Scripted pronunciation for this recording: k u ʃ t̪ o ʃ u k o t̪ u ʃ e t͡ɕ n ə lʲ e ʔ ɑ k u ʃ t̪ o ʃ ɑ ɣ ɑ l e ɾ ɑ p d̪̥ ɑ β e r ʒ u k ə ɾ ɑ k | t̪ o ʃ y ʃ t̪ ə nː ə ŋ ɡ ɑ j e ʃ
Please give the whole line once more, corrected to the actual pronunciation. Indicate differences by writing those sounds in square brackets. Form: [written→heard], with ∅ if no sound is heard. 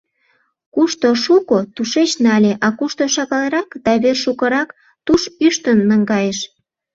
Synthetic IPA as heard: k u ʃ t̪ o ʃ u k o t̪ u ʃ e t͡ɕ n [ə→ɑ] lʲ e ʔ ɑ k u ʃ t̪ o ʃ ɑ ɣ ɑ l e ɾ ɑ [p→k] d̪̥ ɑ β e r [ʒ→ʃ] u k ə ɾ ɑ k | t̪ [o→u] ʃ y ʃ t̪ ə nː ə ŋ ɡ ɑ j e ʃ